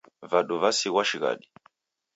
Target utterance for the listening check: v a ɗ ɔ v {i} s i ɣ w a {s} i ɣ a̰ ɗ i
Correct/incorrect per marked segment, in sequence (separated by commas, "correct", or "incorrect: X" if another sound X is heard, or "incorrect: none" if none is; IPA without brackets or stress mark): incorrect: a, incorrect: ʃ